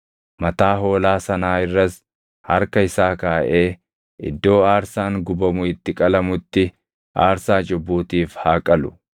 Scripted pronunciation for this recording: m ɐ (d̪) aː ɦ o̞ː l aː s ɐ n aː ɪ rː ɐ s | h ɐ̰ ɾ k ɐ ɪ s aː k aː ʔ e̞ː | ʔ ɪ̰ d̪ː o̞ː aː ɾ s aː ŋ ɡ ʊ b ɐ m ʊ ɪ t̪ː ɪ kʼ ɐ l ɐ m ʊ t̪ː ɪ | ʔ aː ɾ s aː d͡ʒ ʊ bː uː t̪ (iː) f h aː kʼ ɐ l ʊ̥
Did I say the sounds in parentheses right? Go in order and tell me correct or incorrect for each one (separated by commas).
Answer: incorrect, correct